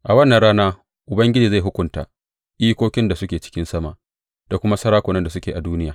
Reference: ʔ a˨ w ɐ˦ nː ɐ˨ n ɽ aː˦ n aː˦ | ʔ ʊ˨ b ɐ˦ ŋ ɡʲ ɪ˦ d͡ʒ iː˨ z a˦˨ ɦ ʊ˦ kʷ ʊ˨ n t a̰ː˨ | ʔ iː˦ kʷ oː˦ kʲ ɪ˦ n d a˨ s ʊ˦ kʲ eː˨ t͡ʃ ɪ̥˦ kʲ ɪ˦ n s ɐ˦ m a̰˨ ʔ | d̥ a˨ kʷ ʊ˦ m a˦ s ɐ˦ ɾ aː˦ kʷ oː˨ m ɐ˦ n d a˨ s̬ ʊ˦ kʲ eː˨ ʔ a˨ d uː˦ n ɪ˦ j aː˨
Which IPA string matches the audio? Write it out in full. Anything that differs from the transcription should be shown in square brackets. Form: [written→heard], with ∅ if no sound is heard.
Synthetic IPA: ʔ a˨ w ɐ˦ nː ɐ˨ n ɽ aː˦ n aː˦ | ʔ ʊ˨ b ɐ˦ ŋ ɡʲ ɪ˦ d͡ʒ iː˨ z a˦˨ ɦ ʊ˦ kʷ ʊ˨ n t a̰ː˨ | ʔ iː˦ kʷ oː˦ kʲ ɪ˦ n d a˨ s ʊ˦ kʲ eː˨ t͡ʃ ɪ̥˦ kʲ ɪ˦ n s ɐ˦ m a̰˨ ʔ | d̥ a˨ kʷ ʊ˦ m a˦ s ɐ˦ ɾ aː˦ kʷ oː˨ [m→n] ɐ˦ n d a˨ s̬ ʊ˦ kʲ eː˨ ʔ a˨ d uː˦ n ɪ˦ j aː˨